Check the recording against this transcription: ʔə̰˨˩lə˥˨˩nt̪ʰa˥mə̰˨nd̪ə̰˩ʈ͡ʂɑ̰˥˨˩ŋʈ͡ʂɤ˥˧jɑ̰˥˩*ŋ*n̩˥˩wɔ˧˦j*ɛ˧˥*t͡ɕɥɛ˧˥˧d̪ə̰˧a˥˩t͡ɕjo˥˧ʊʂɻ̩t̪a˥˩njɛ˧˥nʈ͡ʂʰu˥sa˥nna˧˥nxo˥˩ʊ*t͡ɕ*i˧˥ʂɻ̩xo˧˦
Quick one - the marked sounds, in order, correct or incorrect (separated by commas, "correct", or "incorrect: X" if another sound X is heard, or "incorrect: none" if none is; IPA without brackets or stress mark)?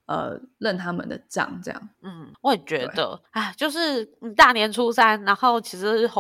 correct, incorrect: ɛ˨˩, incorrect: t͡ɕʰ